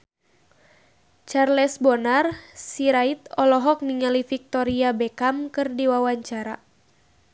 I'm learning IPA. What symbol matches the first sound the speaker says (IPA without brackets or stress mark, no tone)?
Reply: t͡ʃ